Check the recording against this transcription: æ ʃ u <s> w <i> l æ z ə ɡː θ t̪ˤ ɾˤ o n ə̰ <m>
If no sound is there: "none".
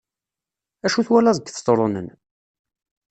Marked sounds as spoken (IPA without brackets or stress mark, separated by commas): θ, æ, n